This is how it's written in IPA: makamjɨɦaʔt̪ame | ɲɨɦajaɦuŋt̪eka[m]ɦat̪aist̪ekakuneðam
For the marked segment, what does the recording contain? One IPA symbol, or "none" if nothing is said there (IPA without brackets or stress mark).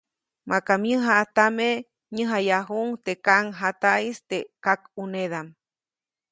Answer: ŋ